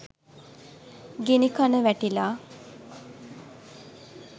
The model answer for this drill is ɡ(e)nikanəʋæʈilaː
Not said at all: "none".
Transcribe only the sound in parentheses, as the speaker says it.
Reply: e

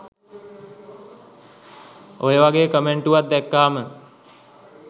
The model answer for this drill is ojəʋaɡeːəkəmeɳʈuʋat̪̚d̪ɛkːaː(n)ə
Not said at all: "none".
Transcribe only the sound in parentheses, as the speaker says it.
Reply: m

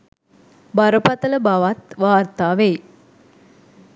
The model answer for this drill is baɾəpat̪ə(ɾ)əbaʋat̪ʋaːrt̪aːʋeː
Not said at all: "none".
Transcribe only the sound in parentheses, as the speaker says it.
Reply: l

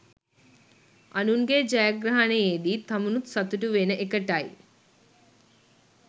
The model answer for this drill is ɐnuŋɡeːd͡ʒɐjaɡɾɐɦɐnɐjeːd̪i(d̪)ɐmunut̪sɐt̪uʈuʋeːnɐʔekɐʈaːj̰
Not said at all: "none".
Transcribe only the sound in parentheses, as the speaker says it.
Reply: t̪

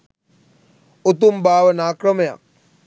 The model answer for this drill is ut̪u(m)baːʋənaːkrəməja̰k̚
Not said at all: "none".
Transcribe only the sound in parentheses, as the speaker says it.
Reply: m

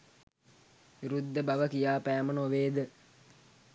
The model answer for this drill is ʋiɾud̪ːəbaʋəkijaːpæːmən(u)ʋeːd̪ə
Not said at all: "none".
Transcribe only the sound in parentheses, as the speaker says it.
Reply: o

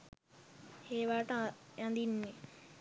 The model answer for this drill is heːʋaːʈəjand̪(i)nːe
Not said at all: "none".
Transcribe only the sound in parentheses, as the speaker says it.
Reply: i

